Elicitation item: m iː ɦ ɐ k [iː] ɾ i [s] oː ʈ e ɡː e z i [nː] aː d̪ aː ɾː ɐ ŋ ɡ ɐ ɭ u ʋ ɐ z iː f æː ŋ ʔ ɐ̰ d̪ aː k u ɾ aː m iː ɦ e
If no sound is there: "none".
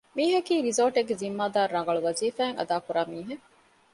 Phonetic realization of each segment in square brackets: iː, z, mː

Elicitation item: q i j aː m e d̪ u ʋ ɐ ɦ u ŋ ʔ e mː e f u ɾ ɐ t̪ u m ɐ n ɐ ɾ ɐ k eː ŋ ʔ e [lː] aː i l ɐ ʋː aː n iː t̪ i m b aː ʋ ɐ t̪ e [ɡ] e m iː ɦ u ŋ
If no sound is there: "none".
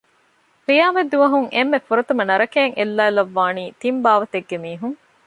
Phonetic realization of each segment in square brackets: lː, ɡː

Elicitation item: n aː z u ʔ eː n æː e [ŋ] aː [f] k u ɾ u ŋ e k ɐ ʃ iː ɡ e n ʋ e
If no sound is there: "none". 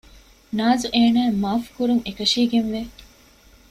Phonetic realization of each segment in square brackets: m, f

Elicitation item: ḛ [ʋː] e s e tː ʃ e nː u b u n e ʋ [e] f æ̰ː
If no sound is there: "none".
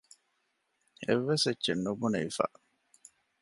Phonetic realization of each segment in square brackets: ʋː, i

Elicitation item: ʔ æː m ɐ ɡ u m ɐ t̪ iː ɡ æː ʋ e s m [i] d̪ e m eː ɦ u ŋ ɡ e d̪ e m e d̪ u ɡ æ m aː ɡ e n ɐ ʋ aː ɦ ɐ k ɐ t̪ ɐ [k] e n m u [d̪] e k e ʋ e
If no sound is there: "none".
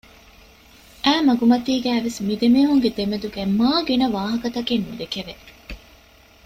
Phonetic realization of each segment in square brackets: i, k, d̪

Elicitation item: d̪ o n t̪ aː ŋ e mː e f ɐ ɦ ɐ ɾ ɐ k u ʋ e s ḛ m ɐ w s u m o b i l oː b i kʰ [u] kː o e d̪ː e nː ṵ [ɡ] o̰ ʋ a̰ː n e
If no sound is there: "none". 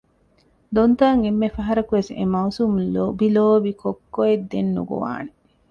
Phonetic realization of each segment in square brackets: o, ɡ

